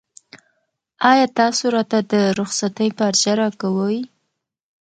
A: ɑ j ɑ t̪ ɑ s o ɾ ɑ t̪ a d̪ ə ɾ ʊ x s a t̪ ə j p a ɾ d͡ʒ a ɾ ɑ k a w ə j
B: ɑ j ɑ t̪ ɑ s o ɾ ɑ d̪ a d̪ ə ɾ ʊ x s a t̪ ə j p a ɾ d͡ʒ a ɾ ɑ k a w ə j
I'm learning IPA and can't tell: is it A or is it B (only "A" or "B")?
A